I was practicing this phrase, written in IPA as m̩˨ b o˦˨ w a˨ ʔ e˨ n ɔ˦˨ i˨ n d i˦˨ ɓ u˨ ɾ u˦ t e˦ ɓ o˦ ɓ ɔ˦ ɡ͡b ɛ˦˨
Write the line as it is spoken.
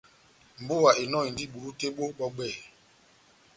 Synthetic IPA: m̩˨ b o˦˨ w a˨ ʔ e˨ n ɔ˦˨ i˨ n d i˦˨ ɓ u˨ ɾ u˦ t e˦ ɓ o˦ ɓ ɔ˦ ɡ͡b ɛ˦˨